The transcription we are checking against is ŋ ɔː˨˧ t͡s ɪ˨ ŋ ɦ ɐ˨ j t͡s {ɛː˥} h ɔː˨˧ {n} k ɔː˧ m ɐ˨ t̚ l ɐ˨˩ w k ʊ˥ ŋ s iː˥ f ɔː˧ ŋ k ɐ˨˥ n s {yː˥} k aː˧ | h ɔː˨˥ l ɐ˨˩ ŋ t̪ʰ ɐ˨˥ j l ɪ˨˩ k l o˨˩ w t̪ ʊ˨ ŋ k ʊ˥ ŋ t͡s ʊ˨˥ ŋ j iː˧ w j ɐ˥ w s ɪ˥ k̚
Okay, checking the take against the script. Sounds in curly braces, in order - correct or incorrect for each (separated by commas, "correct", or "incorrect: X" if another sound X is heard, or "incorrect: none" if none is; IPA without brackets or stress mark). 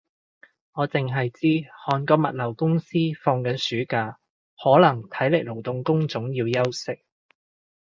incorrect: iː˥, correct, incorrect: yː˨˥